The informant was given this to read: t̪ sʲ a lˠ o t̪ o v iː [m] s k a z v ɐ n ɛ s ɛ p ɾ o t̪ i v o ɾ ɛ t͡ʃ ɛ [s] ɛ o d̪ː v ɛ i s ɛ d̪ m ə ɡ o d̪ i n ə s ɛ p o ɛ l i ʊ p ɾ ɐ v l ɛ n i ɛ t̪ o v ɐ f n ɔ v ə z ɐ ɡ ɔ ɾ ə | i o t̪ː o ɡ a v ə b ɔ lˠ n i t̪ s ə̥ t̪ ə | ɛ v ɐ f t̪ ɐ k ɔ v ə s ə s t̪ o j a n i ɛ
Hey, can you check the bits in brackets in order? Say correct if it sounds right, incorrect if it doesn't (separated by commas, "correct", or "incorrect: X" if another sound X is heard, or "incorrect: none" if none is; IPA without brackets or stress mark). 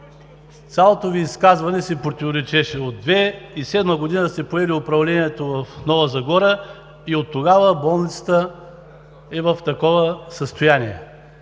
incorrect: none, incorrect: ʃ